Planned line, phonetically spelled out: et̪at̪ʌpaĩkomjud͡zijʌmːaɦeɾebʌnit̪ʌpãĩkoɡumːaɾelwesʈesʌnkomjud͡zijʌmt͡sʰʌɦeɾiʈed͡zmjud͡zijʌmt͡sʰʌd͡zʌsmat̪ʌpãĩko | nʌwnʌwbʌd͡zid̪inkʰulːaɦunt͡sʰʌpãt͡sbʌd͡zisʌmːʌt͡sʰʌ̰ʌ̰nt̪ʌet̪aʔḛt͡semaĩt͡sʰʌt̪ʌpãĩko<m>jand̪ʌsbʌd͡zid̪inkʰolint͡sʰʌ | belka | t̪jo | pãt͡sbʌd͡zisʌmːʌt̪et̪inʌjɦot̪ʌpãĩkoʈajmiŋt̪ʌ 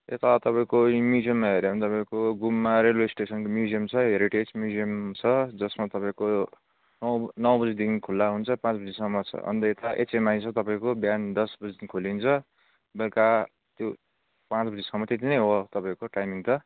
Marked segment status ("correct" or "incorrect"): incorrect